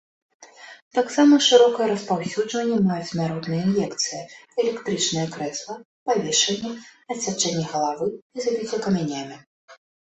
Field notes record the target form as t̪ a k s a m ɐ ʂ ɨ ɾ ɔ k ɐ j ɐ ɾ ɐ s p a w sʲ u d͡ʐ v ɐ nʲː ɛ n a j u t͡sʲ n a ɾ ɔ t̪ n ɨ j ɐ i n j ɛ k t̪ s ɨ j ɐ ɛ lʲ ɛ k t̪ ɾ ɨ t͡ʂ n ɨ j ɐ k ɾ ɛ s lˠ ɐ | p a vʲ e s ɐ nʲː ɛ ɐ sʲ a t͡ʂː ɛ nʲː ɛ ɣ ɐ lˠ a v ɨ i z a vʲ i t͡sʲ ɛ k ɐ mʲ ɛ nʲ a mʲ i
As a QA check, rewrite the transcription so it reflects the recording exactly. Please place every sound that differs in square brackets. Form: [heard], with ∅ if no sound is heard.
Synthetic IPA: t̪ a k s a m ɐ ʂ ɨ ɾ ɔ k ɐ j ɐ ɾ ɐ s p a w sʲ u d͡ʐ v ɐ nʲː ɛ [m] a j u t͡sʲ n a ɾ ɔ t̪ n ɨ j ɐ i n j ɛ k t̪ s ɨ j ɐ ɛ lʲ ɛ k t̪ ɾ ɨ t͡ʂ n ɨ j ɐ k ɾ ɛ s lˠ ɐ | p a vʲ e [ʂ] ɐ nʲː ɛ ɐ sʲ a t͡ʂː ɛ nʲː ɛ ɣ ɐ lˠ a v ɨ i z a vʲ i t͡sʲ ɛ k ɐ mʲ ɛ nʲ a mʲ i